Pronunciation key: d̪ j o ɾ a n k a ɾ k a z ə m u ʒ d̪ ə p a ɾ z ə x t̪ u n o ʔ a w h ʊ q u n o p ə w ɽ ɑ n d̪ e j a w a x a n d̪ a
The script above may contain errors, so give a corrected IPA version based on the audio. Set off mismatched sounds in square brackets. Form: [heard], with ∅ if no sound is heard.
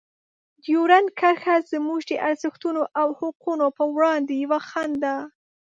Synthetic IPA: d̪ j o ɾ a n k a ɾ [x] a z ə m u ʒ d̪ ə [ʔ] a ɾ z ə x t̪ u n o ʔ a w h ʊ q u n o p ə w ɽ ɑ n d̪ e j a w a x a n d̪ a